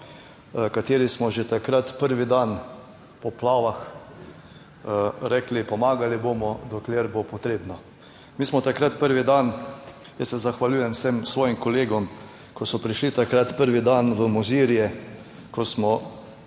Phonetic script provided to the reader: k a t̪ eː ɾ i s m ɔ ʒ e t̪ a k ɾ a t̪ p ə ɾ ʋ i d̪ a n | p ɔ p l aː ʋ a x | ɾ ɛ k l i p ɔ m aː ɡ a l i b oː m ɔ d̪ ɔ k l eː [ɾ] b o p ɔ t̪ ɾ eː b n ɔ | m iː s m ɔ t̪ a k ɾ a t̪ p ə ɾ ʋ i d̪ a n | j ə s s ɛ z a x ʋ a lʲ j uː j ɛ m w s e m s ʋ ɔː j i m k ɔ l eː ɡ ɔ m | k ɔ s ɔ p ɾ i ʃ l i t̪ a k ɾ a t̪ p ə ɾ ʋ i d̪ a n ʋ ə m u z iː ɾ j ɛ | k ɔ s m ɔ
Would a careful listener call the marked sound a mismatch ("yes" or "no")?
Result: no